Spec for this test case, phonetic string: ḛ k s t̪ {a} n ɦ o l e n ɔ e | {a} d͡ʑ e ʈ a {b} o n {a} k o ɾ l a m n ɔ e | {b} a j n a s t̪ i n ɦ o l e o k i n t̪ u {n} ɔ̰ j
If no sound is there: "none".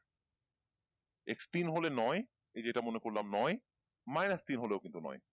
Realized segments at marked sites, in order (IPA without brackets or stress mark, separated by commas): i, e, m, e, m, n